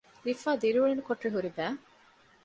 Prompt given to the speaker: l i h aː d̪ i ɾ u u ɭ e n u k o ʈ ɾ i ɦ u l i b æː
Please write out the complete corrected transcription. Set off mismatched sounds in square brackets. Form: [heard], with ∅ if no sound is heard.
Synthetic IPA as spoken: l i [f] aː d̪ i ɾ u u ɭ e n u k o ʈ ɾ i ɦ u [ɾ] i b æː

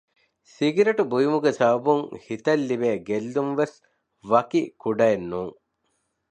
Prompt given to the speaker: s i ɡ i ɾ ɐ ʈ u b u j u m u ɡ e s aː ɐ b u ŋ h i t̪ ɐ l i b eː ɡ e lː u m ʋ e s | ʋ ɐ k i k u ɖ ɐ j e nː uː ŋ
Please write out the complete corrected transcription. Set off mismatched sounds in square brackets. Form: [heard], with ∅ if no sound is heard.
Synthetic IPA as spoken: s i ɡ i ɾ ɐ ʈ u b u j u m u ɡ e s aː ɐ b u ŋ h i t̪ ɐ [lː] i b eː ɡ e lː u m ʋ e s | ʋ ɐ k i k u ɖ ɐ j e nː uː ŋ

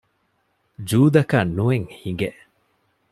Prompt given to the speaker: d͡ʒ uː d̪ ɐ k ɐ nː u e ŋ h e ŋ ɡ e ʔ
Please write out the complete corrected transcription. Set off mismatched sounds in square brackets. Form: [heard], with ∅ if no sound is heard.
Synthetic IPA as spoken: d͡ʒ uː d̪ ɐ k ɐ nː u e ŋ h [i] ŋ ɡ e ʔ

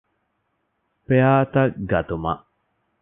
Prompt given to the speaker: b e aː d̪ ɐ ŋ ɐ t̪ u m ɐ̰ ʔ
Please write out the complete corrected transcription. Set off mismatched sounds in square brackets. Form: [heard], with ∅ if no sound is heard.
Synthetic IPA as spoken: [p] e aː [t̪] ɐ [ɡ] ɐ t̪ u m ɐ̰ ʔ

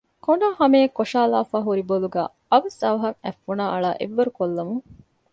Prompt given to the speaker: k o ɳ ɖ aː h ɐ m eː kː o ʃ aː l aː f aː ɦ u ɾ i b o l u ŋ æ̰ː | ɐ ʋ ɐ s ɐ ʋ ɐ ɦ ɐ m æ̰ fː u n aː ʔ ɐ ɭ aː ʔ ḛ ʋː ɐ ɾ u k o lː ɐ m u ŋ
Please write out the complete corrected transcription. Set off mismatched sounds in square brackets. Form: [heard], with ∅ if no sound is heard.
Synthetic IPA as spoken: k o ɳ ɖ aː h ɐ m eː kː o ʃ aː l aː f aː ɦ u ɾ i b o l u [ɡ] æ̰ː | ɐ ʋ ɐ s ɐ ʋ ɐ ɦ ɐ [ŋ] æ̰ fː u n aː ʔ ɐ ɭ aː ʔ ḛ ʋː ɐ ɾ u k o lː ɐ m u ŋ

